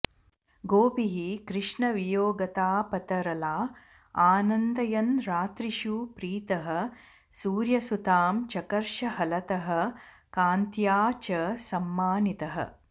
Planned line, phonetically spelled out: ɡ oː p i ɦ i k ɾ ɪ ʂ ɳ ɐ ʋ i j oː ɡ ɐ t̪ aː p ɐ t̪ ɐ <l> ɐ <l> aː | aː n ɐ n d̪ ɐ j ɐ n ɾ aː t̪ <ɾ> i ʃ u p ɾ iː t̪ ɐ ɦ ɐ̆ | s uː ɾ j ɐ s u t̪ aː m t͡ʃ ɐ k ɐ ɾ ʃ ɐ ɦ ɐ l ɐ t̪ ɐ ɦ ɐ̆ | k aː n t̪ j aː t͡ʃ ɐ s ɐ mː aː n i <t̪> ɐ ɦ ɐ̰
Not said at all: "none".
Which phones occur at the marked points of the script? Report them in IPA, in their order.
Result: ɾ, l, ɾ, t̪

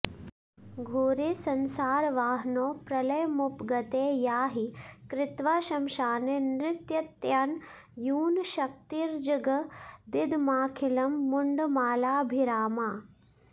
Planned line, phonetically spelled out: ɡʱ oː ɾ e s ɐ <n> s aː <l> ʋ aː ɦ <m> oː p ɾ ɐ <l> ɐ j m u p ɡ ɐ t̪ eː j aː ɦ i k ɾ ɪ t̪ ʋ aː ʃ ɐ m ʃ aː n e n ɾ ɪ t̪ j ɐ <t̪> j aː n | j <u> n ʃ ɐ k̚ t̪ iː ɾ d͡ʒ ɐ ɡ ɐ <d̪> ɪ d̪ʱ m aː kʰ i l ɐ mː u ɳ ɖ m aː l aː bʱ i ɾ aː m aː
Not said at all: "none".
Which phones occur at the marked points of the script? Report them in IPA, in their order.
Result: n, ɾ, n, l, t̪, uː, d̪

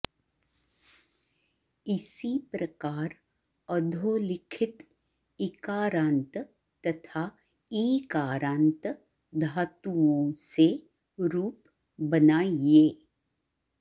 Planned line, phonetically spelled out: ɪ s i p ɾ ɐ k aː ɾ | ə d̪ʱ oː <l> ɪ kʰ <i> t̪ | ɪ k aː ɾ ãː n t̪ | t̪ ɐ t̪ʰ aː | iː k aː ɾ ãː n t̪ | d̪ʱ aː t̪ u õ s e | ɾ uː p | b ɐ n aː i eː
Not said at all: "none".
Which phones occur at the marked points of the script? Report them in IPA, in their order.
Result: l, ɪ

